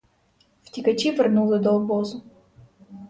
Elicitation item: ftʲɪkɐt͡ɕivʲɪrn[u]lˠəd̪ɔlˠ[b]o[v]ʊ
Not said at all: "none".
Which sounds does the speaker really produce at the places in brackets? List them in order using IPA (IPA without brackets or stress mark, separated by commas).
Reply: u, b, z